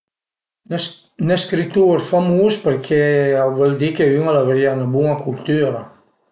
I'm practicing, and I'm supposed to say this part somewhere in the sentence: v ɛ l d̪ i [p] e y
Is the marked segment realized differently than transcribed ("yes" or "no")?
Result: yes